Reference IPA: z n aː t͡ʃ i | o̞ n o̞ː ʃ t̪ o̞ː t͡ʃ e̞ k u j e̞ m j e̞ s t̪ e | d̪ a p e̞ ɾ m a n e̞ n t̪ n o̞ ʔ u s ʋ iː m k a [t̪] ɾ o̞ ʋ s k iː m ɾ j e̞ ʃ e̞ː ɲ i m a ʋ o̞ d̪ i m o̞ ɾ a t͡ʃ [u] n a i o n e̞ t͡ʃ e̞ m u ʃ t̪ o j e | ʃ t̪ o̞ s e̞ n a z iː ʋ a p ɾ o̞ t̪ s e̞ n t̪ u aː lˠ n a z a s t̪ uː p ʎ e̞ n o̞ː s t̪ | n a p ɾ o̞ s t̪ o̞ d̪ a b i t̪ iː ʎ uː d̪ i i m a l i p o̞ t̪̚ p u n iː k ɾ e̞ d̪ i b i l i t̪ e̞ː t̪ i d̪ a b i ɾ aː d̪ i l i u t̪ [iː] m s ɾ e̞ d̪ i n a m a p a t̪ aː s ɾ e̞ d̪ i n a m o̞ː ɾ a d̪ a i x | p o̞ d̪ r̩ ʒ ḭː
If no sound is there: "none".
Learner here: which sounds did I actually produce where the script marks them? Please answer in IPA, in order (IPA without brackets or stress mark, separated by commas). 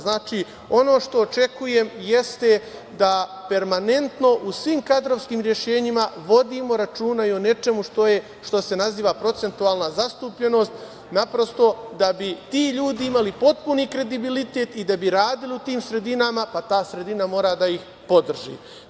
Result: d̪, uː, iː